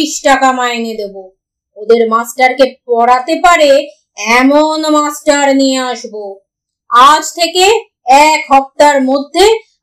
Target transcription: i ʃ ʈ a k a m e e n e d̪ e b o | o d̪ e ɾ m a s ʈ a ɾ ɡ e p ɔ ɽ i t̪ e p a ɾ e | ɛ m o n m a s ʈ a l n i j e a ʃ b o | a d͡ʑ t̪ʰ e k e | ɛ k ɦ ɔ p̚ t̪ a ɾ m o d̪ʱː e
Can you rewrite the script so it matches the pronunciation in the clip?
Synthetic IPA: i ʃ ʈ a k a m a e n e d̪ e b o | o d̪ e ɾ m a s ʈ a ɾ k e p ɔ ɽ a t̪ e p a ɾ e | ɛ m o n m a s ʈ a ɾ n i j e a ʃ b o | a d͡ʑ t̪ʰ e k e | ɛ k ɦ ɔ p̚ t̪ a ɾ m o d̪ʱː e